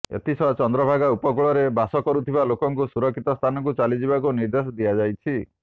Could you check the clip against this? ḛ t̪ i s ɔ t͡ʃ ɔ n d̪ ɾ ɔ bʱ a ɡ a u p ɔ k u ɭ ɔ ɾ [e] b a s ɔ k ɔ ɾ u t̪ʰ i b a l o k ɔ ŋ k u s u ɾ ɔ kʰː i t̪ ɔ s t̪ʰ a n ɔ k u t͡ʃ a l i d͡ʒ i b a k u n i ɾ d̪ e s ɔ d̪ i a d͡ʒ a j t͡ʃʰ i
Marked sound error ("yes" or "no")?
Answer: no